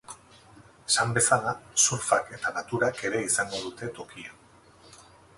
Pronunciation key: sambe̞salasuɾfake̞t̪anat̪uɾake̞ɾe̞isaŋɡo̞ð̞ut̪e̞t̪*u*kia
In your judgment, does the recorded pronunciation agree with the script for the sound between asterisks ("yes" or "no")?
no